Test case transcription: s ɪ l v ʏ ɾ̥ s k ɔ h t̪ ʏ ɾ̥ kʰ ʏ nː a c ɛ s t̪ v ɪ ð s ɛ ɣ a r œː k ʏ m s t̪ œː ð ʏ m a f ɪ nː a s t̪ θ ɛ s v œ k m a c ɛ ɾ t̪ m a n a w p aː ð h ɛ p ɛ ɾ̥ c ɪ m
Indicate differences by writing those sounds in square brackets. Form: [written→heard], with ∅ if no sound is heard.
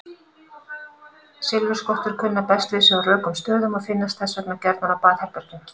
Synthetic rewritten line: s ɪ l v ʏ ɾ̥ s k ɔ h t̪ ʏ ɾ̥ kʰ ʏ nː a [c→p] ɛ s t̪ v ɪ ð s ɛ ɣ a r œː k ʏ m s t̪ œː ð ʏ m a f ɪ nː a s t̪ θ ɛ s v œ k [m→n] a c ɛ ɾ t̪ m a n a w p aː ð h ɛ p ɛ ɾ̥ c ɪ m